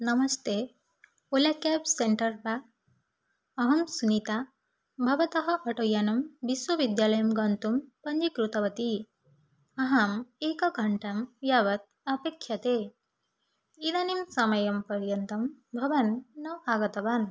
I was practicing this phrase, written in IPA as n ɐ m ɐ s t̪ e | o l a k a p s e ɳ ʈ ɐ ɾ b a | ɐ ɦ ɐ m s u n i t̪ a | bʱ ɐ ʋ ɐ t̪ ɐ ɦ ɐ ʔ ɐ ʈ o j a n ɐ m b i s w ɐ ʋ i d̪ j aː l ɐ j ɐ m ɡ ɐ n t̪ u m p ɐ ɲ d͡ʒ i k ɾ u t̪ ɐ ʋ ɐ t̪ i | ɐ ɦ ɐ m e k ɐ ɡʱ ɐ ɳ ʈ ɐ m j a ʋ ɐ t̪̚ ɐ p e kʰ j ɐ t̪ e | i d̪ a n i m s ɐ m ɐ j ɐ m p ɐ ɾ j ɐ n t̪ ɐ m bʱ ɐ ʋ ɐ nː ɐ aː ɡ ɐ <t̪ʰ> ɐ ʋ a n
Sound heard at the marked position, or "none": t̪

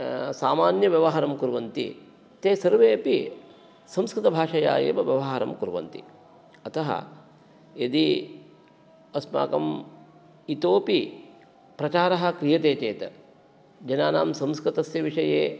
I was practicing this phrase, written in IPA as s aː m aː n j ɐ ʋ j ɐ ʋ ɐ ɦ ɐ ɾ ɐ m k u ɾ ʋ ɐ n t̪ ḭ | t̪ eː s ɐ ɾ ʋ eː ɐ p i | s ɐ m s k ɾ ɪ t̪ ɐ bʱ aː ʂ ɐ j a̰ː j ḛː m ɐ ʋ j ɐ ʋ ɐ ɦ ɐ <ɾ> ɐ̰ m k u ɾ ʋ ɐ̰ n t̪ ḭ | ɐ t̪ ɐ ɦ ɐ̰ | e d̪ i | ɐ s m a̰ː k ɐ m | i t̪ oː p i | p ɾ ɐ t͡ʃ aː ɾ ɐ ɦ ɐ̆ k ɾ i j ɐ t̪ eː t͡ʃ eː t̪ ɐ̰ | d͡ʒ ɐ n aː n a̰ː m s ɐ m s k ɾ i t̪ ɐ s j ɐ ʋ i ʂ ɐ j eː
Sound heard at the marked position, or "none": ɾ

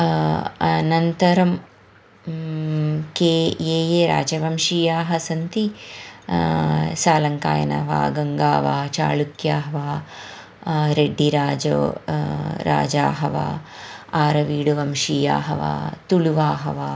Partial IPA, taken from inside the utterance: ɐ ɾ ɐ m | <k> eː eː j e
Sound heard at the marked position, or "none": k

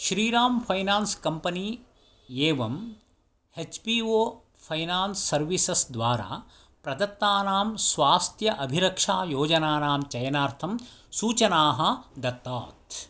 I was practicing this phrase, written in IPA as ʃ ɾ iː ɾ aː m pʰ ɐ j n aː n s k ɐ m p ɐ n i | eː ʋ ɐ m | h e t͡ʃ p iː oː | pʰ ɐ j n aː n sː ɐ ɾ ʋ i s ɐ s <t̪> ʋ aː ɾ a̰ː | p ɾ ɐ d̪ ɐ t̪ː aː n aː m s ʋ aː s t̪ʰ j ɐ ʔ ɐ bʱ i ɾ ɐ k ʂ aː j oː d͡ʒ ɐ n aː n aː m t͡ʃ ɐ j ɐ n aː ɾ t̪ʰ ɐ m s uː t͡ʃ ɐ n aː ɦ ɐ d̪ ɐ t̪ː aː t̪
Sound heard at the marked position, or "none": d̪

